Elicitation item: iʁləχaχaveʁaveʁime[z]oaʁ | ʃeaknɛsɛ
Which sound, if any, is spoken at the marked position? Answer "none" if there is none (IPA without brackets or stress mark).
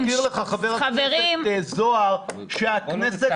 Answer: z